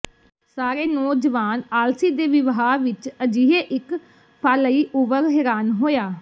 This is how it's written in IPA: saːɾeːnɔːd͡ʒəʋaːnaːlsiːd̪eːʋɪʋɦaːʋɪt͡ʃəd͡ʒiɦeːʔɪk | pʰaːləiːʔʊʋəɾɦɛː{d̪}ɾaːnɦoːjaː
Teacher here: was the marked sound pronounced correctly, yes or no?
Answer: no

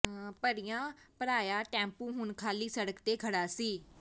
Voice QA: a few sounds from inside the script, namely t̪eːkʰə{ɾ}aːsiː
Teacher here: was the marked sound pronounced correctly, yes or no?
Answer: no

